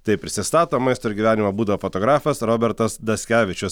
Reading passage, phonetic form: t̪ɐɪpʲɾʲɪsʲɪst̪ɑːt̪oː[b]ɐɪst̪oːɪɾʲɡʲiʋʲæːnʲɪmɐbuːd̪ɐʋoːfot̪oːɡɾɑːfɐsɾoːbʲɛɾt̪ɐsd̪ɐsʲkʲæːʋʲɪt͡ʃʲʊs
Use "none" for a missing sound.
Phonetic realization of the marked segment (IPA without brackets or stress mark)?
m